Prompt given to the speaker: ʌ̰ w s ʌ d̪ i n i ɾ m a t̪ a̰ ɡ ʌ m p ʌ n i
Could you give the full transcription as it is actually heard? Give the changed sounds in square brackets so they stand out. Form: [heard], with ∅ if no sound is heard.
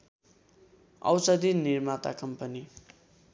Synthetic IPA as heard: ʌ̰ w s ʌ d̪ i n i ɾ m a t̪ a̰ [k] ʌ m p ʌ n i